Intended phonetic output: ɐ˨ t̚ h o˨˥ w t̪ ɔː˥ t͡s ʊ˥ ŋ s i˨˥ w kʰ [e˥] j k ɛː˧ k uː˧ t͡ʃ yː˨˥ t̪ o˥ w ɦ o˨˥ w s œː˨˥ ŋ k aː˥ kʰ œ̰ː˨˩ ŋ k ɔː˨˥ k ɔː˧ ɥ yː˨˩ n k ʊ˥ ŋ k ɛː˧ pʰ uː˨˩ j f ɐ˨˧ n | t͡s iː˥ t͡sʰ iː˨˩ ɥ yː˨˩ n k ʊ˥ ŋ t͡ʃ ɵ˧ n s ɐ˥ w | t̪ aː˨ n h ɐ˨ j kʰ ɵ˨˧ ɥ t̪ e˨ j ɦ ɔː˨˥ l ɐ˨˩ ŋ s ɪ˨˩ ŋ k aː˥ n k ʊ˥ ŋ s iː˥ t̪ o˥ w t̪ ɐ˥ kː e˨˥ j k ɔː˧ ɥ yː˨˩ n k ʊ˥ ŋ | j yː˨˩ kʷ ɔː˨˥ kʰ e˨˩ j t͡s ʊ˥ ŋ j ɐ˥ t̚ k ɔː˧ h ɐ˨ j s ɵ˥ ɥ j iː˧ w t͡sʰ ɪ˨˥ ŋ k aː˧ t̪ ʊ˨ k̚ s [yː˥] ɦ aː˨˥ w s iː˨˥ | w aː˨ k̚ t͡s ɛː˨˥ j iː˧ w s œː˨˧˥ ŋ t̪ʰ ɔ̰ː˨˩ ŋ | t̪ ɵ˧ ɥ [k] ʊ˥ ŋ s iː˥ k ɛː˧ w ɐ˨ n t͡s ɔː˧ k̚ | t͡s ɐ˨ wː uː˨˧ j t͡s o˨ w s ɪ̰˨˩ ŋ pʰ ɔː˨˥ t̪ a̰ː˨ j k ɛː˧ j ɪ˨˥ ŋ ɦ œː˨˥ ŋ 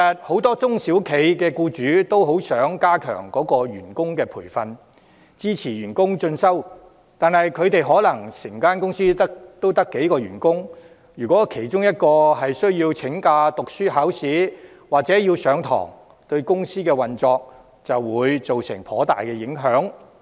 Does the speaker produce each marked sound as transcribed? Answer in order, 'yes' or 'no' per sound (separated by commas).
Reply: no, yes, yes